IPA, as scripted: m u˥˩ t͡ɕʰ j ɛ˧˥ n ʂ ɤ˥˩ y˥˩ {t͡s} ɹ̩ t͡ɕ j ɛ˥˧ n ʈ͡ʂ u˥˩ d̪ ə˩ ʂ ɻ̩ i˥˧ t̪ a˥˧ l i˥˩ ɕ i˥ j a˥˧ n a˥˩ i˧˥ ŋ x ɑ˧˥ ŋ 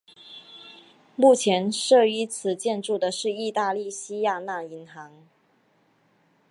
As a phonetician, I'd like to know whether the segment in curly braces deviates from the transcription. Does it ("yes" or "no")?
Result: yes